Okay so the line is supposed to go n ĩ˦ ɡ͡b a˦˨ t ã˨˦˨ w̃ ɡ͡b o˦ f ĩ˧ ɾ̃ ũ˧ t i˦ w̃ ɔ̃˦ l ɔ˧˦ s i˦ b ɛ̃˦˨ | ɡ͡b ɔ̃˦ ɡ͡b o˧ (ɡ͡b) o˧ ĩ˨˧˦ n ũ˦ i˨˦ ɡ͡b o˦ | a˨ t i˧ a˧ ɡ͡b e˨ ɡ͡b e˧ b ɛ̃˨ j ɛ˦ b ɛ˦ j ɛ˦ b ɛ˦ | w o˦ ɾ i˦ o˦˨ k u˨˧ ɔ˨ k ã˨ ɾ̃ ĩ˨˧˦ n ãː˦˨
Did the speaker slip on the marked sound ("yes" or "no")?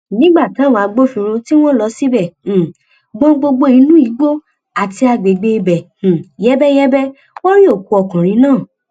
no